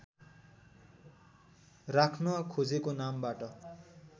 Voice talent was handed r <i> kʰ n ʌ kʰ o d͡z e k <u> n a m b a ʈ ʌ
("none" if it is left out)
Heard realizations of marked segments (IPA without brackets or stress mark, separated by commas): a, o